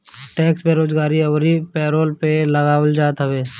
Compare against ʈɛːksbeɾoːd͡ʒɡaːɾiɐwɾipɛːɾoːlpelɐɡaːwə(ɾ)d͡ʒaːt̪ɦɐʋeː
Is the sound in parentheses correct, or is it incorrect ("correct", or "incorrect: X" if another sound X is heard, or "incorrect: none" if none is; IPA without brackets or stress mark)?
incorrect: l